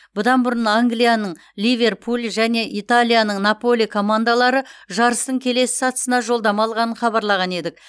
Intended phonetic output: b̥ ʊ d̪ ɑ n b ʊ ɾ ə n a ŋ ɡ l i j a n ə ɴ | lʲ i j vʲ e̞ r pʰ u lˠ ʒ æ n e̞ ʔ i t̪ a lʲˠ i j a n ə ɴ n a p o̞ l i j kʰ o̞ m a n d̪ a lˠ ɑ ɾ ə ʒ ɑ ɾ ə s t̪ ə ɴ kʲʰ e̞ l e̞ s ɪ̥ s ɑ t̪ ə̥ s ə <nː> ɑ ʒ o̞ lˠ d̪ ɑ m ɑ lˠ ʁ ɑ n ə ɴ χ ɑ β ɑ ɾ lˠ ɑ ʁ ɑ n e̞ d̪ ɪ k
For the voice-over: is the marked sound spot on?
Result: no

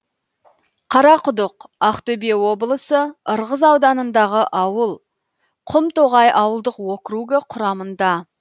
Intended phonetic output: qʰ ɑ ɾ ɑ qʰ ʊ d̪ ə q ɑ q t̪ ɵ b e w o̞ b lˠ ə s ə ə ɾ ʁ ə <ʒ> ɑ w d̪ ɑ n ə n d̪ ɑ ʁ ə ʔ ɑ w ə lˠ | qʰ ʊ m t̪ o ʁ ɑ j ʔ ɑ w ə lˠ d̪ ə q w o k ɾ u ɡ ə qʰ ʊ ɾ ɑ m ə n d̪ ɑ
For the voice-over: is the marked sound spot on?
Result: no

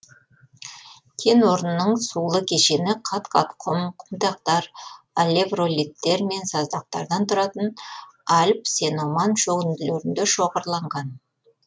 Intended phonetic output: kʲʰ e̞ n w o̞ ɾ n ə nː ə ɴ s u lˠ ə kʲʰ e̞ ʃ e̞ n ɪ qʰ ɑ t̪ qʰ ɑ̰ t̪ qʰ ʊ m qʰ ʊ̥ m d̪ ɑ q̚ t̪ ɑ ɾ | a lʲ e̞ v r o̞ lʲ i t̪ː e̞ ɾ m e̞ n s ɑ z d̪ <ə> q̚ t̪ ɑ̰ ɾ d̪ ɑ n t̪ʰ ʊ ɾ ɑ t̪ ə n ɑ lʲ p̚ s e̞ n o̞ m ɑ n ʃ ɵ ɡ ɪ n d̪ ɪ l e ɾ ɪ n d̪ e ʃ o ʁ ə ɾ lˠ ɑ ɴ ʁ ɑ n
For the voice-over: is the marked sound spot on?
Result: no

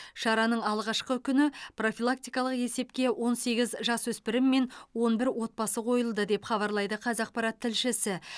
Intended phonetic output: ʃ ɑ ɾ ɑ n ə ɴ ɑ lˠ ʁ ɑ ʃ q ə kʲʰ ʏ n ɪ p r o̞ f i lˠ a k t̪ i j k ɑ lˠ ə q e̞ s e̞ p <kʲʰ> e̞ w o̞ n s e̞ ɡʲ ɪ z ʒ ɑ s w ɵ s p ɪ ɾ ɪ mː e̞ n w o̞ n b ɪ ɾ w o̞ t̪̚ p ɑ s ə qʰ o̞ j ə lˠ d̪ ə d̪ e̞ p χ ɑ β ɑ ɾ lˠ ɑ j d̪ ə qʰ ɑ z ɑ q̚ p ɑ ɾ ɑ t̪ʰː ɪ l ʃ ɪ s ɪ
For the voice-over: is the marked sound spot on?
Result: no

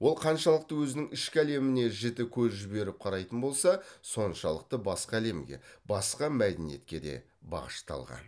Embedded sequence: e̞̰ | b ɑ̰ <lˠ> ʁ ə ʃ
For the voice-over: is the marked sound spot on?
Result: no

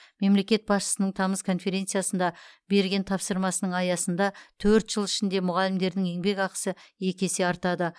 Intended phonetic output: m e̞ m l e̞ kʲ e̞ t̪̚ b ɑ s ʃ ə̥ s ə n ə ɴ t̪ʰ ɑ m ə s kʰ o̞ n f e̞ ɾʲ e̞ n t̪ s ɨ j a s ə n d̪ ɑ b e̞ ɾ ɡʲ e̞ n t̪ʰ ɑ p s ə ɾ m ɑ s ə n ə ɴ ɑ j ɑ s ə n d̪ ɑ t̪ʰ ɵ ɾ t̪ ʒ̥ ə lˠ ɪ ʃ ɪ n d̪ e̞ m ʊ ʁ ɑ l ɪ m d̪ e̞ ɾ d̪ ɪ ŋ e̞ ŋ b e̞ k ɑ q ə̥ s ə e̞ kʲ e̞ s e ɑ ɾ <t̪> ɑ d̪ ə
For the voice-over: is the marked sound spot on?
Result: yes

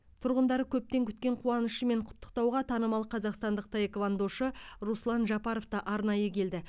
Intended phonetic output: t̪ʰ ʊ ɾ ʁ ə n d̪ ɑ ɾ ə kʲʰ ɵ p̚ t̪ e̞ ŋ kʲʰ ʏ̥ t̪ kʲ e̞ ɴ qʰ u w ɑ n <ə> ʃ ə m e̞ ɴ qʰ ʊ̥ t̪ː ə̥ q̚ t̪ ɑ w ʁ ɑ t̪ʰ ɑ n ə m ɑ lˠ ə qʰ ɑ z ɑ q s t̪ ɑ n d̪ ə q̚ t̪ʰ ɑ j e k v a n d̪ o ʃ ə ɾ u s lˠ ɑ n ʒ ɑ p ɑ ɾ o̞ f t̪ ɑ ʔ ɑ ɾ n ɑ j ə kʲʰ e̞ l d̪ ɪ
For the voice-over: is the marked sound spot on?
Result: yes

